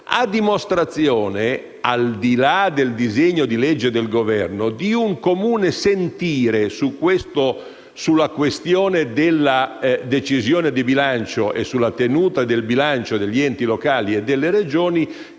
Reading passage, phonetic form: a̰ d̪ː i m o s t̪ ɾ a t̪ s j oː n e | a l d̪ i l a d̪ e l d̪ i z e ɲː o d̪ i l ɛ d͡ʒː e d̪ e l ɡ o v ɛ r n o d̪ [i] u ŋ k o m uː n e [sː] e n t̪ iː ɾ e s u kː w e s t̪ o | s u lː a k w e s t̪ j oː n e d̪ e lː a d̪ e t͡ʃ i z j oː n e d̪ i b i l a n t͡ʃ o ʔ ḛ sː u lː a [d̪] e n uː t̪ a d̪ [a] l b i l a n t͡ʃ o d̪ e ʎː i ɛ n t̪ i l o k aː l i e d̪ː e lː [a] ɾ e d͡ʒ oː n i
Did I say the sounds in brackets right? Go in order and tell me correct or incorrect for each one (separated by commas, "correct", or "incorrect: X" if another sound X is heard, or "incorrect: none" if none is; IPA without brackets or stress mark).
correct, incorrect: s, incorrect: t̪, incorrect: e, incorrect: e